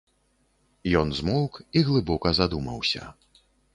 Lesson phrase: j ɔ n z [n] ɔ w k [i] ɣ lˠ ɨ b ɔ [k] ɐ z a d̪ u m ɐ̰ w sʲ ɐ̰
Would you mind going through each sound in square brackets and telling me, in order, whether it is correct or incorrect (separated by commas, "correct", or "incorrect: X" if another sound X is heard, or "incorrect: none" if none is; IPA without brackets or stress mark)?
incorrect: m, correct, correct